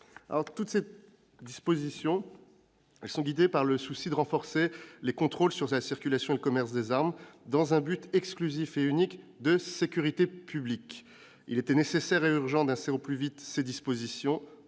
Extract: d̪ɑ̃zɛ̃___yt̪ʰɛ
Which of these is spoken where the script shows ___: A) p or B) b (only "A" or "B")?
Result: B